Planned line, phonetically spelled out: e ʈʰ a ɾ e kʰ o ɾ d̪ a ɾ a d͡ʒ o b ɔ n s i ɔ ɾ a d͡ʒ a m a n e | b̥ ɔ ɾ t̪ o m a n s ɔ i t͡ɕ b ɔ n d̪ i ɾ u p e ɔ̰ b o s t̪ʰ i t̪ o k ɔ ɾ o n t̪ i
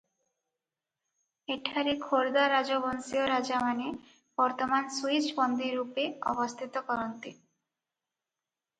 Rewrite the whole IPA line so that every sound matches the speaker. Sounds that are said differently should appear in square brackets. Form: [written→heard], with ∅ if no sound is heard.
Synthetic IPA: e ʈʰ a ɾ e kʰ o ɾ d̪ a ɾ a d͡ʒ o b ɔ n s i [ɔ→o] ɾ a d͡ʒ a m a n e | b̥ ɔ ɾ t̪ o m a n s [ɔ→u] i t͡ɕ b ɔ n d̪ i ɾ u p e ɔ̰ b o s t̪ʰ i t̪ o k ɔ ɾ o n t̪ i